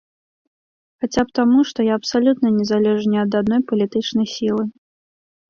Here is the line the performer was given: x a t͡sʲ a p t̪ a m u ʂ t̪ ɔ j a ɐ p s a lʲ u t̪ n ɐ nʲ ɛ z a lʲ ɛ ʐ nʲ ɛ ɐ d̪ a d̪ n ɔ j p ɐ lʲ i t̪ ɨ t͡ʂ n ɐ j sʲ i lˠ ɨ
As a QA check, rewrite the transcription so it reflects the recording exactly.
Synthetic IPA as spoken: x a t͡sʲ a p t̪ a m u ʂ t̪ ɔ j a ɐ p s a lʲ u t̪ n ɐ nʲ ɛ z a lʲ ɛ ʐ nʲ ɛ ɐ d̪ a d̪ n ɔ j p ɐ lʲ i t̪ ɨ t͡ʂ n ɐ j sʲ i lˠ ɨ

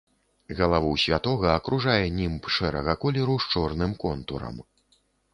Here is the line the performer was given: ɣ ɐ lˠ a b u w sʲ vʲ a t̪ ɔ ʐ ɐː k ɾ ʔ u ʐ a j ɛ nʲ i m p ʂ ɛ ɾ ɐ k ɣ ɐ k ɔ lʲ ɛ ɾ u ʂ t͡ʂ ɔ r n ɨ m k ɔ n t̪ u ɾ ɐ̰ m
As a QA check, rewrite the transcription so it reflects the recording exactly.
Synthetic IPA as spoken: ɣ ɐ lˠ a v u w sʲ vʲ a t̪ ɔ ɣ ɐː k ɾ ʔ u ʐ a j ɛ nʲ i m p ʂ ɛ ɾ ɐ ɣ ɐ k ɔ lʲ ɛ ɾ u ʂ t͡ʂ ɔ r n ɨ m k ɔ n t̪ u ɾ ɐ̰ m

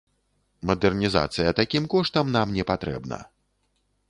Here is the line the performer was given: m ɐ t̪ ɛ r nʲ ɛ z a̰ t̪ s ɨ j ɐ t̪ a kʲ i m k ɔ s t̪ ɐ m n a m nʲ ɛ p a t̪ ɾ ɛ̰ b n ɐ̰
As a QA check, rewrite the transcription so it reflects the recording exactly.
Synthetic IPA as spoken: m ɐ d̪ ɛ r nʲ i z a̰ t̪ s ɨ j ɐ t̪ a kʲ i m k ɔ ʂ t̪ ɐ m n a m nʲ ɛ p a t̪ ɾ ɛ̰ b n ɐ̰

